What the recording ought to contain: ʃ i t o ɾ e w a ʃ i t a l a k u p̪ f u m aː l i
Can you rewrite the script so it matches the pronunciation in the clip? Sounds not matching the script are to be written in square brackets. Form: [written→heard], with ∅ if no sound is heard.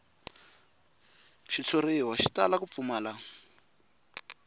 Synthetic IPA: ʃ i [t→t͡sʰ] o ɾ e w a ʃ i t a l a k u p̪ f u m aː l [i→a]